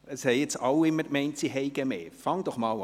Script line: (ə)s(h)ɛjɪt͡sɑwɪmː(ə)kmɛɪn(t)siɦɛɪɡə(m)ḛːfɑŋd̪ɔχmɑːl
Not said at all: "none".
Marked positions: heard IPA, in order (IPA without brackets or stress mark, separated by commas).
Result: ə, h, ə, t, m